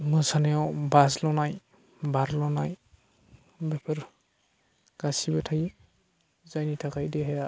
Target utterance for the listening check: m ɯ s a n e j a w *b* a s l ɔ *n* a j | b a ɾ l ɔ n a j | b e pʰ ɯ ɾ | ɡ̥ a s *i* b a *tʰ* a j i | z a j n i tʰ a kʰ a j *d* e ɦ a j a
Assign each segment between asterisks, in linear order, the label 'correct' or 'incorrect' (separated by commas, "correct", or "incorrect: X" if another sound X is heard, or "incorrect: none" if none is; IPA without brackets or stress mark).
correct, correct, correct, correct, correct